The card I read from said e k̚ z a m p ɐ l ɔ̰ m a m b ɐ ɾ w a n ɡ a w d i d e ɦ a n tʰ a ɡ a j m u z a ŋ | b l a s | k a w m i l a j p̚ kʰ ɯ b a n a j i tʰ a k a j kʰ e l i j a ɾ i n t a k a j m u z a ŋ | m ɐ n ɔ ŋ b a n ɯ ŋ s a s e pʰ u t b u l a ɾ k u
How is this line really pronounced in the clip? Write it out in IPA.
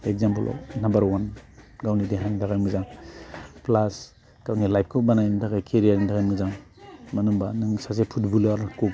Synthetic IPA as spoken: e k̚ z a m p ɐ l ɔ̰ n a m b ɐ ɾ w a n ɡ a w n i d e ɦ a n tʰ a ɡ a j m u z a ŋ | p l a s | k a w n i l a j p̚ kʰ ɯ b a n a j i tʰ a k a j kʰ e ɾ i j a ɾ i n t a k a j m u z a ŋ | m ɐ n u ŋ b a n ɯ ŋ s a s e pʰ u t b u l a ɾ k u